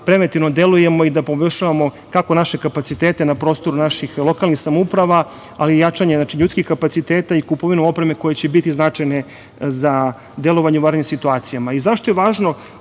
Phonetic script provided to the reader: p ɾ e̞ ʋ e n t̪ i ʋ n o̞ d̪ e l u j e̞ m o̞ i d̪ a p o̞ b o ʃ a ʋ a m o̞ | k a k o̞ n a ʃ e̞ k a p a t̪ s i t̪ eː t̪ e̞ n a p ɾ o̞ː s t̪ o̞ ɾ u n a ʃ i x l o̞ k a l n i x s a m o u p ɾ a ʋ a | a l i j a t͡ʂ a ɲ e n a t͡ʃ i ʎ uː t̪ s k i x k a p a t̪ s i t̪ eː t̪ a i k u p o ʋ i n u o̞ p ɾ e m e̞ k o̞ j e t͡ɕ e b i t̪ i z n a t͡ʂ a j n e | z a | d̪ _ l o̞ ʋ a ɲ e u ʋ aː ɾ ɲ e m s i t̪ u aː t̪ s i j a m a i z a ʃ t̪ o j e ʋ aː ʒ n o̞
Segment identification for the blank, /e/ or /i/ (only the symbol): e